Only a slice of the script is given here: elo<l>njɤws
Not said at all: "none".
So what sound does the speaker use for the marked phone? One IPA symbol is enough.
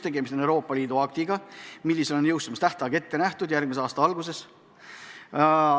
none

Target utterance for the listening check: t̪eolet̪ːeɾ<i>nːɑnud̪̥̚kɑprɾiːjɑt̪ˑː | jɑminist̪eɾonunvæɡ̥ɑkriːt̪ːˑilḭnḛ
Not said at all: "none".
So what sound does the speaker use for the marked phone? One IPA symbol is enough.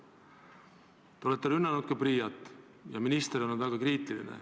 y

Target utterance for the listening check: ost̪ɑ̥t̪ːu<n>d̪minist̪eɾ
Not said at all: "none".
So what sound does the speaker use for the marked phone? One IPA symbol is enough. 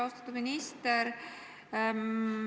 none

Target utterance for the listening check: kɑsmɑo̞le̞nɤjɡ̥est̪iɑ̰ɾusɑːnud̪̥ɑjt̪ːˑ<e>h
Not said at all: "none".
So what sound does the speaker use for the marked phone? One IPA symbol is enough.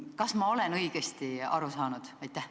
æ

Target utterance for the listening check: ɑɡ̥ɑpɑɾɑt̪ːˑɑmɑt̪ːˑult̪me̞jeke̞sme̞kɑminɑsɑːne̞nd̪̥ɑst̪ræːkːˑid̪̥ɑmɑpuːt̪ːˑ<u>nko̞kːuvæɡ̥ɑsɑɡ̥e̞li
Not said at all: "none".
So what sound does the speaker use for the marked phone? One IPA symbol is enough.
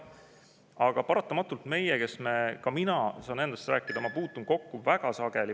u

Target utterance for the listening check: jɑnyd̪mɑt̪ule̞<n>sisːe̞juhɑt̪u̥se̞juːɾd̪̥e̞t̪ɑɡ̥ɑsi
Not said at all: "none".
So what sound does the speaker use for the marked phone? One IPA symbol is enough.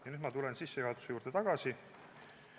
n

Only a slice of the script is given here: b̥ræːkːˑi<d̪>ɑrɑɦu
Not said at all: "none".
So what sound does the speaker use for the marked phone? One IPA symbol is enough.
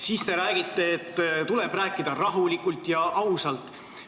d̪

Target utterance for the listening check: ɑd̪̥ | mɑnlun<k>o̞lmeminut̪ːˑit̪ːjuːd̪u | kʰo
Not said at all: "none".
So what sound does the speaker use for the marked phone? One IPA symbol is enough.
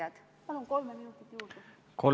k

